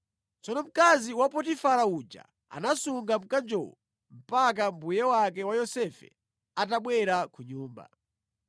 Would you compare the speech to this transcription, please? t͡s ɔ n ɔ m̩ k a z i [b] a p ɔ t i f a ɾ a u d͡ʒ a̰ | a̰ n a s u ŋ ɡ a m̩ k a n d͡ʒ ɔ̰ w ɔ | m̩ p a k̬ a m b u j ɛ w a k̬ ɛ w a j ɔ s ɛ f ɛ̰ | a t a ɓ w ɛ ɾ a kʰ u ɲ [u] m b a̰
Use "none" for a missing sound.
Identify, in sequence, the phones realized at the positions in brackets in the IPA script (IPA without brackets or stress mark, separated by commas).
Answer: w, uː